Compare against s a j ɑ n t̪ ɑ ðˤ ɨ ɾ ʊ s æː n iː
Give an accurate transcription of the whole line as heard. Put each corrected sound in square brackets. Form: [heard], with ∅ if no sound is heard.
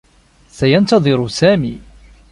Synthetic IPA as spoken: s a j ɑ n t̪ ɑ ðˤ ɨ ɾ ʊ s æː [m] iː